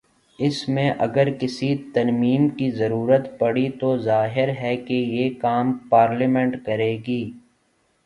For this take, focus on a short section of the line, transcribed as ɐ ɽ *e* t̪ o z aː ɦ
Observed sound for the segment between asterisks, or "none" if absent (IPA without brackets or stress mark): i